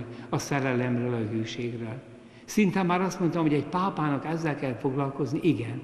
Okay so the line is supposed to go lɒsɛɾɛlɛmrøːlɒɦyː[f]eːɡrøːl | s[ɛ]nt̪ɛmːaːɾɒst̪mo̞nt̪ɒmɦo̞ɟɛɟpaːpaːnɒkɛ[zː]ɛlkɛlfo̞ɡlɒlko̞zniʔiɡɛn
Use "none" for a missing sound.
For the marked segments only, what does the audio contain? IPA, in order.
ʃ, i, zː

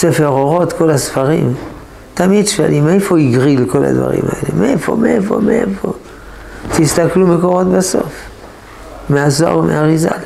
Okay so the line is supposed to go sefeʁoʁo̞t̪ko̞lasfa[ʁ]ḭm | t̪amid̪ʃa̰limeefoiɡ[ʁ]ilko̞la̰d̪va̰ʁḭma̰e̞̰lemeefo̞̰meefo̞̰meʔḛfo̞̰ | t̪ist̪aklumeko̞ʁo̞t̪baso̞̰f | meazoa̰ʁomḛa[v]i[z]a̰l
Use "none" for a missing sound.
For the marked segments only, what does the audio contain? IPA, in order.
ʁ, ʁ, ʁ, z

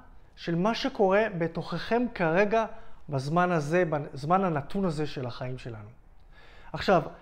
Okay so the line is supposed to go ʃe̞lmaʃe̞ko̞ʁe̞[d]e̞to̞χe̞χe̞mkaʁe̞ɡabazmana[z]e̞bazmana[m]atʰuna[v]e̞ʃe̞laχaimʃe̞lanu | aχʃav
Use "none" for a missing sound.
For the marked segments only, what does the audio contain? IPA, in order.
b, z, n, z

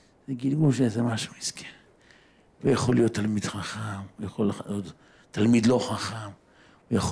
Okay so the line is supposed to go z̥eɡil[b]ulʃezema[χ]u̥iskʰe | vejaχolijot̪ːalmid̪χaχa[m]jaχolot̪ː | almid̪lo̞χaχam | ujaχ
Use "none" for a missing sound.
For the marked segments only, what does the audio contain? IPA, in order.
ɡ, ʃ, m

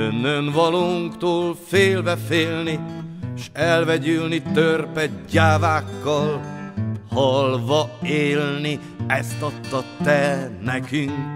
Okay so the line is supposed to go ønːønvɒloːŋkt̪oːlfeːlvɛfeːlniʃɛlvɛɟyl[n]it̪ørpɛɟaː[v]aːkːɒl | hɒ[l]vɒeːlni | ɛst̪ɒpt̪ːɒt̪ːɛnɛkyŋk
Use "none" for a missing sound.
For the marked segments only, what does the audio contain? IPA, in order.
n, v, l

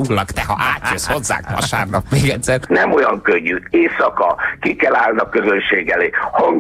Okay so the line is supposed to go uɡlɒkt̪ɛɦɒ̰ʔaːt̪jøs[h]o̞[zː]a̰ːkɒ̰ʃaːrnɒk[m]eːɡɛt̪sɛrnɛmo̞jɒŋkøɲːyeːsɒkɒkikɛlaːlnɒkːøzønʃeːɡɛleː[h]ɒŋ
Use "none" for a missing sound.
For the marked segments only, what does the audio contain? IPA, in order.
h, zː, m, h

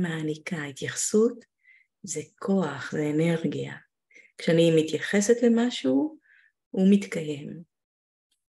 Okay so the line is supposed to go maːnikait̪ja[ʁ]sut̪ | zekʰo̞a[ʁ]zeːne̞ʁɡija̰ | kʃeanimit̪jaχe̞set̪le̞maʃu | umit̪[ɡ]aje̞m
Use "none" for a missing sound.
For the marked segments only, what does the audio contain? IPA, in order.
χ, χ, k

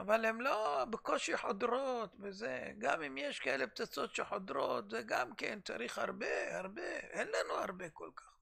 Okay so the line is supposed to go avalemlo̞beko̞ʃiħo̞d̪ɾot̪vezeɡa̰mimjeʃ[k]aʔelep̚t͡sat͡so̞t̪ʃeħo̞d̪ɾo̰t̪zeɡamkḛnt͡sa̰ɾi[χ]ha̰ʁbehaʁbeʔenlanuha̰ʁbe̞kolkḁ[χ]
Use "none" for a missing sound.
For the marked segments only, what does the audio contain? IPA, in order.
k, χ, χ

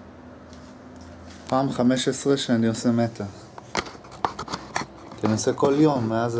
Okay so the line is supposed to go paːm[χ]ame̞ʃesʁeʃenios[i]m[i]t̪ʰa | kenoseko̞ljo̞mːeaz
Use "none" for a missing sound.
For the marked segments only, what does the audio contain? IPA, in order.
χ, e, e

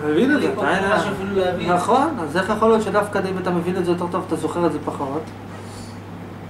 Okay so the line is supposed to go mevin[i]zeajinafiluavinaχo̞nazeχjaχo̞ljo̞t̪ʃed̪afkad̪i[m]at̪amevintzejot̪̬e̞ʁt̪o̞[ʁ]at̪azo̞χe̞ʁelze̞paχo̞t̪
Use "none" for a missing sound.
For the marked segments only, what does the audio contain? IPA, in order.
e, m, v

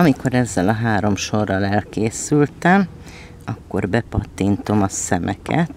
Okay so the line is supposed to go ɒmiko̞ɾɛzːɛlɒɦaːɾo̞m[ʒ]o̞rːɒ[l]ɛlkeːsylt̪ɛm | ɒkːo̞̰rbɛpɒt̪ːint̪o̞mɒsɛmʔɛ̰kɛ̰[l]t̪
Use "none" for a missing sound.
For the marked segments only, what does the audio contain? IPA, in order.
ʃ, l, none

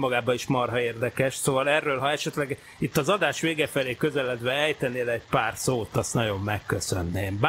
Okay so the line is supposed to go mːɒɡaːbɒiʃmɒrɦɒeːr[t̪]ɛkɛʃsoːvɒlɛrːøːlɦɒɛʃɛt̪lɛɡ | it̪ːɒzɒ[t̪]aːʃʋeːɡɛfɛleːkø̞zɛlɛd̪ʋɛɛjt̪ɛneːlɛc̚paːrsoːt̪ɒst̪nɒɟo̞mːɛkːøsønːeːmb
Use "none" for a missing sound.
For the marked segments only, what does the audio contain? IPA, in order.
d̪, d̪

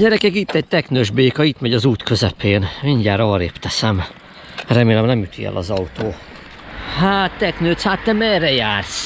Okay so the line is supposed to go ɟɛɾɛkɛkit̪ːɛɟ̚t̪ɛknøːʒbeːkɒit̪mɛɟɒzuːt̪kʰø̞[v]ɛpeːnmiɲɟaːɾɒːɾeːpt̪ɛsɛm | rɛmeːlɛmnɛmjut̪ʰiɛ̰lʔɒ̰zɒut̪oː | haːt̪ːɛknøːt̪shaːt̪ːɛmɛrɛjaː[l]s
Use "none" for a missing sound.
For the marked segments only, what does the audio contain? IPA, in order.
z, r

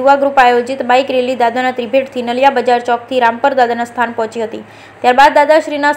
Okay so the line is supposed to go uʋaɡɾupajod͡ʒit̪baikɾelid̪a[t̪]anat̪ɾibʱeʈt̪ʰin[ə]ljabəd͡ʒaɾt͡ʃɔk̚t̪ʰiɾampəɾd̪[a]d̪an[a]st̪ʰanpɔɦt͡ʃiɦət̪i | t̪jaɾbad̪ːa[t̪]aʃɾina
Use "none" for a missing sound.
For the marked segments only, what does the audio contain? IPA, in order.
d̪, ə, a, a, d̪

